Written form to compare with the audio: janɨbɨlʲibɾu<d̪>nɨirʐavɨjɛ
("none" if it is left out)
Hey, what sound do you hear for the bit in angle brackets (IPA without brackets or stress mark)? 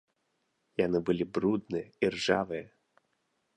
d̪